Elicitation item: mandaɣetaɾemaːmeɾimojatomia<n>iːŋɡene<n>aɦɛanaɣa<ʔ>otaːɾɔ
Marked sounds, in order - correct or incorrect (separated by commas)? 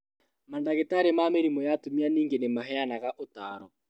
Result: correct, incorrect, correct